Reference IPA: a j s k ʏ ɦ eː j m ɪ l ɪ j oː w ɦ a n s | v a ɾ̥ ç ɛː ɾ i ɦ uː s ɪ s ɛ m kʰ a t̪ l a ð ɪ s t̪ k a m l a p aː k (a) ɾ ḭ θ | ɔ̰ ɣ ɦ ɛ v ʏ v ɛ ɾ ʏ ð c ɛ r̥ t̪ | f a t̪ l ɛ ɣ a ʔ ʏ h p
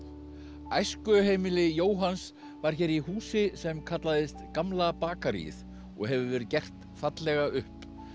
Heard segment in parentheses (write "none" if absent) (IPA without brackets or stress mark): a